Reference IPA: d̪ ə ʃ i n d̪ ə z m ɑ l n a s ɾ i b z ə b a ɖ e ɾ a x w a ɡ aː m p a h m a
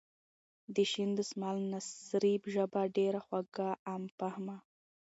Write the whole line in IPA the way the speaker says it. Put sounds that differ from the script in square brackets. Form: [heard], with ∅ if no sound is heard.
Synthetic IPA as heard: d̪ ə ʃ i n d̪ ə [s] m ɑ l n a s ɾ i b [ʒ] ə b a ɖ e ɾ a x w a ɡ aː m p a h m a